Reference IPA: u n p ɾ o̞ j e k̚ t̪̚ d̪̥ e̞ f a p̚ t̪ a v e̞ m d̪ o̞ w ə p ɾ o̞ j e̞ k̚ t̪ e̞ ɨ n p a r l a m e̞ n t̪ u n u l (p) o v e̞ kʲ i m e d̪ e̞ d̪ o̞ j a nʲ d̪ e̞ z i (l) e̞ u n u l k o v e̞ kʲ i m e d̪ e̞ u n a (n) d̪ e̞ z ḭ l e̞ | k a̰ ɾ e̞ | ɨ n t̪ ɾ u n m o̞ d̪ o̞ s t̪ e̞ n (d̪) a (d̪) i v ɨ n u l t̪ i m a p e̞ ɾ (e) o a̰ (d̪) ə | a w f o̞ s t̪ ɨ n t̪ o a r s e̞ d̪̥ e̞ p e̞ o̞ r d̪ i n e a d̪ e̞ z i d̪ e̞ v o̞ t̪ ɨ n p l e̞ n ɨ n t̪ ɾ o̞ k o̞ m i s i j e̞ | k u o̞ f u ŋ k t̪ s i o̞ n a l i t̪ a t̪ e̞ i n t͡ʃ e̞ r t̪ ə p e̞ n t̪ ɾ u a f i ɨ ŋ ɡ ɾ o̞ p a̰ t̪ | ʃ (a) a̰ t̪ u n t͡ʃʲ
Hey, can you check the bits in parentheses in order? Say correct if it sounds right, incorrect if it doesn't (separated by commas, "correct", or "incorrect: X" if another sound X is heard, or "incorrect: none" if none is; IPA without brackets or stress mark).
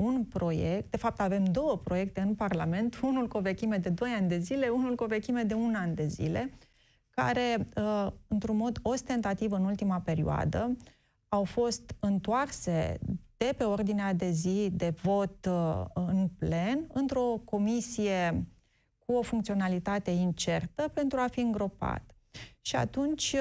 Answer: incorrect: k, correct, correct, incorrect: t̪, incorrect: t̪, incorrect: i, correct, incorrect: i